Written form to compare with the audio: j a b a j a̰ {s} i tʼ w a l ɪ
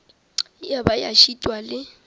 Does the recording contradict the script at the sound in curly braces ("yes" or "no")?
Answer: yes